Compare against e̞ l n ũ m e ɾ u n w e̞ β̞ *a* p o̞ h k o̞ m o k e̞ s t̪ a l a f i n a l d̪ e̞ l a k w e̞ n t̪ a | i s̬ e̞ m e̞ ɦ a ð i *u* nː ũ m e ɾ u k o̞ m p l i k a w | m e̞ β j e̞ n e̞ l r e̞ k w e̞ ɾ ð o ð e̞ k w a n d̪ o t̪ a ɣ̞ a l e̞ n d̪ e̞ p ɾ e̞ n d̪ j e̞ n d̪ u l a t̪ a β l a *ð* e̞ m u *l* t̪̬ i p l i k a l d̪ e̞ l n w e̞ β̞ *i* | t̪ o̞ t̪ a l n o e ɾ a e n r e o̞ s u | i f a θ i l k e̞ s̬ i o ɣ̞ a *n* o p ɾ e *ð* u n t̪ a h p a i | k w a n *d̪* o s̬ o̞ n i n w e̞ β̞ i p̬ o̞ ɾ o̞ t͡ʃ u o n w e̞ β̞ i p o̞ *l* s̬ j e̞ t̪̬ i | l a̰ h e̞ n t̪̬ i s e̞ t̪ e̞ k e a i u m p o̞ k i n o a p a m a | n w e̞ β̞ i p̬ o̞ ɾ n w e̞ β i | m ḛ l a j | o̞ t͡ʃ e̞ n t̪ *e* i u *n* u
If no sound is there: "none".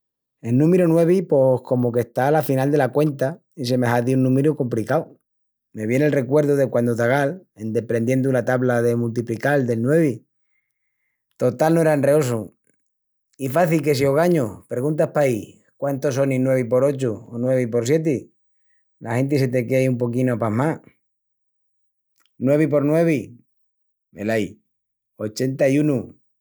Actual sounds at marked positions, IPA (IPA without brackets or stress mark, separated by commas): i, u, ð, l, i, ɲ, ɣ, t̪, ɾ, a, n